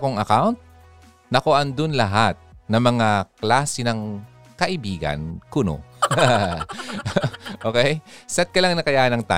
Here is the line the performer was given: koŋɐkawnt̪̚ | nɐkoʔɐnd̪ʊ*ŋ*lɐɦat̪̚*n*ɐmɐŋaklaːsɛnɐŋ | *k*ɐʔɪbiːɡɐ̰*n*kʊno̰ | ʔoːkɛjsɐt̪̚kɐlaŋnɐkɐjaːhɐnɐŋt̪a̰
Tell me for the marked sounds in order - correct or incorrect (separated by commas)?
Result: incorrect, correct, correct, correct